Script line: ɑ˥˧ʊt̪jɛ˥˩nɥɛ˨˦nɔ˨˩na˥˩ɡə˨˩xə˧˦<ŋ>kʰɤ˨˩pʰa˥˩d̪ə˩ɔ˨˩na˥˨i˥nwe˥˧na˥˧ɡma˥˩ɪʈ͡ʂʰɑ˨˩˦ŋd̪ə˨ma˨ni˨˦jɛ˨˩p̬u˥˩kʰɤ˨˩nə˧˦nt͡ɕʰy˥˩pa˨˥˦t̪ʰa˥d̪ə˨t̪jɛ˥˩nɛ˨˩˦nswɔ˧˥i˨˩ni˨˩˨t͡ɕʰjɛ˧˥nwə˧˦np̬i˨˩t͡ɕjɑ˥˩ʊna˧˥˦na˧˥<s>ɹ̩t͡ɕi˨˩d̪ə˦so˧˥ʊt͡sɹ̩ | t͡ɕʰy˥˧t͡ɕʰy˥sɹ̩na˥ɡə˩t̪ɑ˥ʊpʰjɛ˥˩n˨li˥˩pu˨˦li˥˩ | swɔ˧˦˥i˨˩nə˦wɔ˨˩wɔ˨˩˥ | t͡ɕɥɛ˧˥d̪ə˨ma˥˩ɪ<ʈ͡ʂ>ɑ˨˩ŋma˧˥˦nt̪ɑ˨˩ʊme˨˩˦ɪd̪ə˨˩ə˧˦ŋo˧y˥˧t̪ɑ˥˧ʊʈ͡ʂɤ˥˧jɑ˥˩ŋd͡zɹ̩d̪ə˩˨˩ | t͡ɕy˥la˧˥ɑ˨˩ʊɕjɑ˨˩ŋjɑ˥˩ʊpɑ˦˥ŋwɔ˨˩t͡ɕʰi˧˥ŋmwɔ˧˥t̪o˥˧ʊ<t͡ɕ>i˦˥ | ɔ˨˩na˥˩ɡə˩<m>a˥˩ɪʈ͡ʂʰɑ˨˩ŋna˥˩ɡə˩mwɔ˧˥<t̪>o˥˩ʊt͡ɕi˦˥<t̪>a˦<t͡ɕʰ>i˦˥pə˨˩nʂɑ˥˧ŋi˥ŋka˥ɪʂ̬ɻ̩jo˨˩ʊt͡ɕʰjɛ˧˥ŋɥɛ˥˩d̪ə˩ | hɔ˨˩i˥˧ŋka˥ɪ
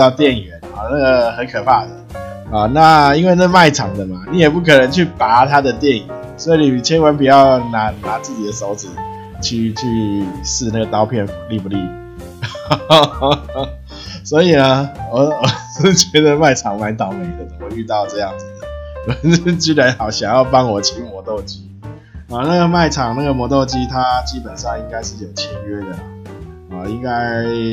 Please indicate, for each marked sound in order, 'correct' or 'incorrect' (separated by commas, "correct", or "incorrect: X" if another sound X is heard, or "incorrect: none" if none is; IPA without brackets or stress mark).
incorrect: n, incorrect: t͡s, incorrect: ʈ͡ʂʰ, correct, correct, correct, incorrect: t̪ʰ, incorrect: t͡ɕ